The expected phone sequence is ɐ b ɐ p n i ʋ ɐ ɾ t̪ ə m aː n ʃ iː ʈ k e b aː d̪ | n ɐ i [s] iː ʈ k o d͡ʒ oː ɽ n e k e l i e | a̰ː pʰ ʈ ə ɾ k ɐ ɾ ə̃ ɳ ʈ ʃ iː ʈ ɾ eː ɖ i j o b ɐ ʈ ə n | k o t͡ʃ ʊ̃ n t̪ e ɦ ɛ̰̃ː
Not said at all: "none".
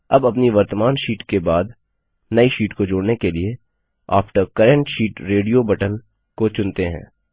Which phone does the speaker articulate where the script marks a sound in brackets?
ʃ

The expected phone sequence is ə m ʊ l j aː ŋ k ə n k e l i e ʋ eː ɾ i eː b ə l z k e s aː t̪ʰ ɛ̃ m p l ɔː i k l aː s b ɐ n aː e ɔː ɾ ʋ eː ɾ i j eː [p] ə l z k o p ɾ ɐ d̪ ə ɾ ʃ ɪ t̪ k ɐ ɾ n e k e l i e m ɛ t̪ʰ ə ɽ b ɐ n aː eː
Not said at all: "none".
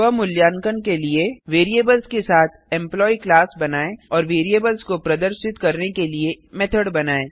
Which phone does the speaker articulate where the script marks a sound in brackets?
b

